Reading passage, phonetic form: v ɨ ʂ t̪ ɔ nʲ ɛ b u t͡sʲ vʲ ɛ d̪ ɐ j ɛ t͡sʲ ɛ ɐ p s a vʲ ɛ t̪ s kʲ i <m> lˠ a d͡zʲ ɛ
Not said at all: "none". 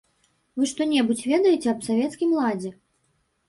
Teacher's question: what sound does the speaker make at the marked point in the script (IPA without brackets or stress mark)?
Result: m